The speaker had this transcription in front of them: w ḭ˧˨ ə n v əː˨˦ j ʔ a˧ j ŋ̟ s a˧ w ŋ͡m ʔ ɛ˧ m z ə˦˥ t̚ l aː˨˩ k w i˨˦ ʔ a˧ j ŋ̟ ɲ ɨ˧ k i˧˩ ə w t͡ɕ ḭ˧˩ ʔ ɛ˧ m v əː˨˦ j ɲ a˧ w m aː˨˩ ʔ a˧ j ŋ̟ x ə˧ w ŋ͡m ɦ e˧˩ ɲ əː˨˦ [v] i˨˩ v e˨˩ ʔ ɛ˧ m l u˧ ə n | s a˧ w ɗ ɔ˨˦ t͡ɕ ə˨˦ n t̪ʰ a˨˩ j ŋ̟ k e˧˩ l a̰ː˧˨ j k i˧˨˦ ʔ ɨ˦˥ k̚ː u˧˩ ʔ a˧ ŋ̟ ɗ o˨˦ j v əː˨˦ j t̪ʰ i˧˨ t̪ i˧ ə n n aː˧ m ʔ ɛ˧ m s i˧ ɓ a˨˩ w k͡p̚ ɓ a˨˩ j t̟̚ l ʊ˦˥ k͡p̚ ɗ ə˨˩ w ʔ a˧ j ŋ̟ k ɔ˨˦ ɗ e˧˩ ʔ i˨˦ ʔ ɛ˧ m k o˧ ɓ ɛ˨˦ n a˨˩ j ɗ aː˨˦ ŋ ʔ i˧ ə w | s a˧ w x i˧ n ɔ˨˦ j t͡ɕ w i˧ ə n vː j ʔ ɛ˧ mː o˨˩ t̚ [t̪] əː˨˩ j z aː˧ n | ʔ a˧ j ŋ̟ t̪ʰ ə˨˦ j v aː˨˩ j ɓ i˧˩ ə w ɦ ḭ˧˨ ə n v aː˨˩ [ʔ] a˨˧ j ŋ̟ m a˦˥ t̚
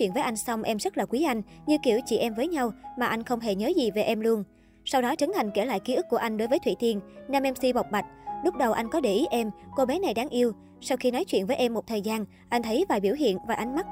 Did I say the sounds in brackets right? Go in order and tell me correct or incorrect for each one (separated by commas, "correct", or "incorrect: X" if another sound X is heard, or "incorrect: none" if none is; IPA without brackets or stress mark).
incorrect: z, incorrect: t̪ʰ, correct